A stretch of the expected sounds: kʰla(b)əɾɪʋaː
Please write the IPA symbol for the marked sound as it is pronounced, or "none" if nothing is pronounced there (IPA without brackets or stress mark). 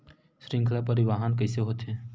p